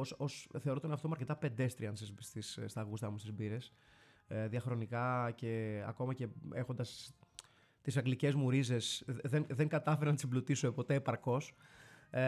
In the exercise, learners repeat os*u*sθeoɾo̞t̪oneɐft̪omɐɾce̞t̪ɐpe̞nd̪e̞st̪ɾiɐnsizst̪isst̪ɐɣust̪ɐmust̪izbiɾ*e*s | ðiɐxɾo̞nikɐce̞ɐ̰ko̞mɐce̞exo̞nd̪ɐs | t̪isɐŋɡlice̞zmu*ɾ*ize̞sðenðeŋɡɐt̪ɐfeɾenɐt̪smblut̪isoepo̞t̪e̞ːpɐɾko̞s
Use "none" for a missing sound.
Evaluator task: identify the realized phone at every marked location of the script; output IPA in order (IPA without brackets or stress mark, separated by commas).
o, e, ɾ